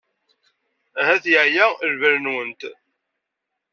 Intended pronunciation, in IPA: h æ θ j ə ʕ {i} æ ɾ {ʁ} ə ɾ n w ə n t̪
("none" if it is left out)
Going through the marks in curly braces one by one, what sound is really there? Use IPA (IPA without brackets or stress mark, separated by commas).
j, v